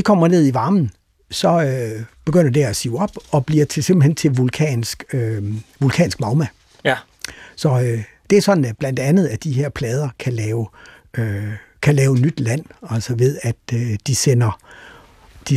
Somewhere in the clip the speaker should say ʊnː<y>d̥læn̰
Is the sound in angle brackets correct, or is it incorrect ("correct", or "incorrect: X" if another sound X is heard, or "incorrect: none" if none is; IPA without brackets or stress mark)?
correct